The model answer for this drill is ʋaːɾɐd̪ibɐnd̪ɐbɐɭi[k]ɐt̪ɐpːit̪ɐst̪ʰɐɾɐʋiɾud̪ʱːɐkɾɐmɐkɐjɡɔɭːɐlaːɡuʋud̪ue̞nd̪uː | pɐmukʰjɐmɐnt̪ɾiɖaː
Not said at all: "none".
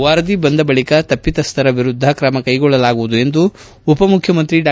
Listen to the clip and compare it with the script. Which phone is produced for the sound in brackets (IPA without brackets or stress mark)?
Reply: k